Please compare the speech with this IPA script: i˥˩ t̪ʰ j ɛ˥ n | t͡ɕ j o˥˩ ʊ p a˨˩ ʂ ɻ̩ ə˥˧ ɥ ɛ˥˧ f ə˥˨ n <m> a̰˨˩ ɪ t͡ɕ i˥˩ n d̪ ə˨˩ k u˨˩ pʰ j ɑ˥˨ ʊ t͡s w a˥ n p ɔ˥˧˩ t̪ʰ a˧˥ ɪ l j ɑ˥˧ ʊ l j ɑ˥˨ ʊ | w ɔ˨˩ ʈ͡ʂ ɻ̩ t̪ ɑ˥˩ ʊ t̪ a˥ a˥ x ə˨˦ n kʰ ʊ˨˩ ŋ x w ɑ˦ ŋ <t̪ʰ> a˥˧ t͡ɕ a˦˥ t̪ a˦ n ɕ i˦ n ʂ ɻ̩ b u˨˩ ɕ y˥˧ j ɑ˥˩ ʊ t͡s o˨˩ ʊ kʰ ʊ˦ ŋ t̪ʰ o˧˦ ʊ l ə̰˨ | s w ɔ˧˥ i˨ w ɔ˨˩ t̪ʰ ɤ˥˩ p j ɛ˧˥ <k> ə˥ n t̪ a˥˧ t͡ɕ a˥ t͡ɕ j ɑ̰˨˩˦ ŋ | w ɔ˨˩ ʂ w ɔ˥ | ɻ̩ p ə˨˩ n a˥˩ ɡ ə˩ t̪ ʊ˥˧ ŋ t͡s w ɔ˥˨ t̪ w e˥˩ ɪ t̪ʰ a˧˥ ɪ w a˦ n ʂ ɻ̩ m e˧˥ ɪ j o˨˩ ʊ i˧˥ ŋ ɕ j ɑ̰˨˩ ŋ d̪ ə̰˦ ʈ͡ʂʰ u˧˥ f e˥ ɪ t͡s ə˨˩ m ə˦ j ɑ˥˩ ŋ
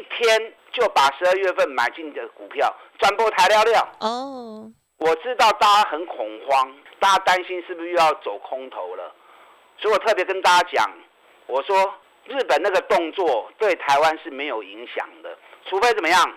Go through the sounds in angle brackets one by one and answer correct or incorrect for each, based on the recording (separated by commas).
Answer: correct, incorrect, correct